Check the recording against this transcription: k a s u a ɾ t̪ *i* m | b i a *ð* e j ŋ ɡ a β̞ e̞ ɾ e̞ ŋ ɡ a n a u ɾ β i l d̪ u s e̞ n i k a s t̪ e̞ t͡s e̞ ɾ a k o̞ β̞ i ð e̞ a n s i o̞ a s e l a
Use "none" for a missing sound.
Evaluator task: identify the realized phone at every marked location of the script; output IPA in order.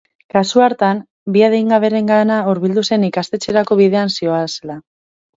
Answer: a, ð

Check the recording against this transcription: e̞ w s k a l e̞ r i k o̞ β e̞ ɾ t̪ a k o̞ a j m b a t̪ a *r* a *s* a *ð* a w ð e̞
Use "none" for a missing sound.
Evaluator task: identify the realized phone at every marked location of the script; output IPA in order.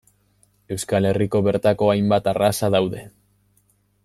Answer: r, s, ð

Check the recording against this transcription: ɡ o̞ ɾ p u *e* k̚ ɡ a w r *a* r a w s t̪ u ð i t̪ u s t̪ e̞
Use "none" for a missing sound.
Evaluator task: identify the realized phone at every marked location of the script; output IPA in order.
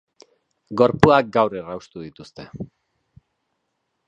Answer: a, e

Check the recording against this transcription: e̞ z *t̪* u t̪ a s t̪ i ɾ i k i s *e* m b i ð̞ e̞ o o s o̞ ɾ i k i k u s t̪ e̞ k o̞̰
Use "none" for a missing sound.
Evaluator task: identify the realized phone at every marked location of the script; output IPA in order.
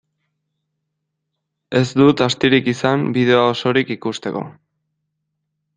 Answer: d̪, a

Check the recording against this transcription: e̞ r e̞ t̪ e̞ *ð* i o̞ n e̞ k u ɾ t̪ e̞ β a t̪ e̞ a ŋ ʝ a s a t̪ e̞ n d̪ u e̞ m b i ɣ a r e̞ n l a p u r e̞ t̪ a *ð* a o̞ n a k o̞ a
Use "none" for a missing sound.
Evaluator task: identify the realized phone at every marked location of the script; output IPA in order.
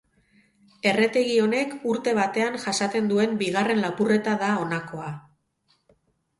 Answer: ɣ, ð

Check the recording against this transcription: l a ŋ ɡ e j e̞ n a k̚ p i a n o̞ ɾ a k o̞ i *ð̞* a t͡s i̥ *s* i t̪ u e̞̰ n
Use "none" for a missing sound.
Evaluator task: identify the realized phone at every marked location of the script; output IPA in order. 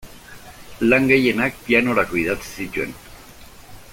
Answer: ð̞, s

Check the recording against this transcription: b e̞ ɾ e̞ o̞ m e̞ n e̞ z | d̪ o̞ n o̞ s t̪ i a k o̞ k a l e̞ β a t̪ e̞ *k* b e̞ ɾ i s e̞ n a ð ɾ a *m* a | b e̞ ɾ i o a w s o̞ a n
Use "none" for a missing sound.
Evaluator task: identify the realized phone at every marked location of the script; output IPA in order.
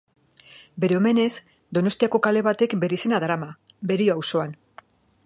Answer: k, m

